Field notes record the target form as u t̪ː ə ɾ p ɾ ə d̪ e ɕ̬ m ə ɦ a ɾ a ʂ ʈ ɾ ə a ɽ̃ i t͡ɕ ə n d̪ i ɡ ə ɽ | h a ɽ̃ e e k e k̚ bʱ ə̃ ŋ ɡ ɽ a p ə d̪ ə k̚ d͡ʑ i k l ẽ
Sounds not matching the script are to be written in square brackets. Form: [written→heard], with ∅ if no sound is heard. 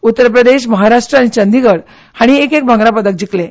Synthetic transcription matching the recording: u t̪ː ə ɾ p ɾ ə d̪ e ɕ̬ m ə ɦ a ɾ a ʂ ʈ ɾ ə a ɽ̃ i t͡ɕ ə n d̪ i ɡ ə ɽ | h a ɽ̃ [e→i] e k e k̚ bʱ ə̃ ŋ ɡ [ɽ→ɾ] a p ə d̪ ə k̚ d͡ʑ i k l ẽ